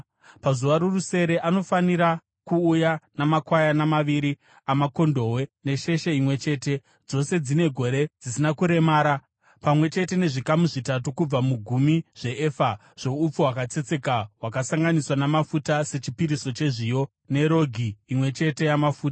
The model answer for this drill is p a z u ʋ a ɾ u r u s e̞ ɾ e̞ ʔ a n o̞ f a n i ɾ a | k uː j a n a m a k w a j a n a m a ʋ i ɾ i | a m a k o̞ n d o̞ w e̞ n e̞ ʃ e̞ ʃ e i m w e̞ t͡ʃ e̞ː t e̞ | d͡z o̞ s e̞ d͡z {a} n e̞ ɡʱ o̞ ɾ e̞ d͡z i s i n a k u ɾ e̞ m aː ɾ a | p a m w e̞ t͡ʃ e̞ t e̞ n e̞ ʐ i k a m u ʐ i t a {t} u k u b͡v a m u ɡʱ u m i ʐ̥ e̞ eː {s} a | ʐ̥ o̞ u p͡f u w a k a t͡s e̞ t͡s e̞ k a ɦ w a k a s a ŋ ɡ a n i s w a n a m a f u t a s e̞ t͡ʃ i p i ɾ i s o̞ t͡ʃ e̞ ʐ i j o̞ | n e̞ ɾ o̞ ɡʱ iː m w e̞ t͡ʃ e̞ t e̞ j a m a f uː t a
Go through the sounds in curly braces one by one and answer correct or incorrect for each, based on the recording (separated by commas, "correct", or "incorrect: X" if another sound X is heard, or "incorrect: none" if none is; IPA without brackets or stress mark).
incorrect: i, correct, incorrect: f